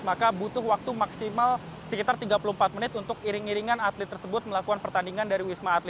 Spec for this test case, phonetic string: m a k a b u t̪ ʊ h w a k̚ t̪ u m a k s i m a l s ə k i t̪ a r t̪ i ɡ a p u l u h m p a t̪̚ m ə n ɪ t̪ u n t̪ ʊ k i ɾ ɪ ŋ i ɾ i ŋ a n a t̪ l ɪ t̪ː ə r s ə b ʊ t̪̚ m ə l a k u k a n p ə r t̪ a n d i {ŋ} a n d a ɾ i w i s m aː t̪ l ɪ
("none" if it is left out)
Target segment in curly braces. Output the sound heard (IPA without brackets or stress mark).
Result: ŋ